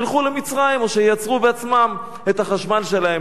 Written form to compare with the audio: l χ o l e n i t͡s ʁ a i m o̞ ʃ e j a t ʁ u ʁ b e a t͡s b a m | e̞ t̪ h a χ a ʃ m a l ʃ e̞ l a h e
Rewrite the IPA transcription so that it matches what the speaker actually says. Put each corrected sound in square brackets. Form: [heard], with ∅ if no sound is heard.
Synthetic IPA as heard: l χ [u] l e [m] i t͡s ʁ a i m o̞ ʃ e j a [t͡s] ʁ u [∅] b e a t͡s [m] a m | e̞ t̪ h a χ a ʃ m a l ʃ e̞ l a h e